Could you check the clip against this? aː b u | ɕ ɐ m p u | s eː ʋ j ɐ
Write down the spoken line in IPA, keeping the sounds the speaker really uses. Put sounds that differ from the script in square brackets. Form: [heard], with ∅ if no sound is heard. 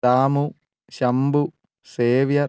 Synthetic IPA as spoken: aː [m] u | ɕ ɐ m [b] u | s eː ʋ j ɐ